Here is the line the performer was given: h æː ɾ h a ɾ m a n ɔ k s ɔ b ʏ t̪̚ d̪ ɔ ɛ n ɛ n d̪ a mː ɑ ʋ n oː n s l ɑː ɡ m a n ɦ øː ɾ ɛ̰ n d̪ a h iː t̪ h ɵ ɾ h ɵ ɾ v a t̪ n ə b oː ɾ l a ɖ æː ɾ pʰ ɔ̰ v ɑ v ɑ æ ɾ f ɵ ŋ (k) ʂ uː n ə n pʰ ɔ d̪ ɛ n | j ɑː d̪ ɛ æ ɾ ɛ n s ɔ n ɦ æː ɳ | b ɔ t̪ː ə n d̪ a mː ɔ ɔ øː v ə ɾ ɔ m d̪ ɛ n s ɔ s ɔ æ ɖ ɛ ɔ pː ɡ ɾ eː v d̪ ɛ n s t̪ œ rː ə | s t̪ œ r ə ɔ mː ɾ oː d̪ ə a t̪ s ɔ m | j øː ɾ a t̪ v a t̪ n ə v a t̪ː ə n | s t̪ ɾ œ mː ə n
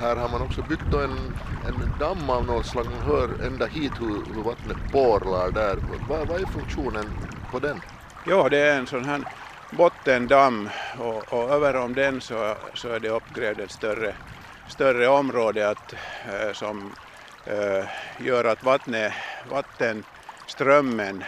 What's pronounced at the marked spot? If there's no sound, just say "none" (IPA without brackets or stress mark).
k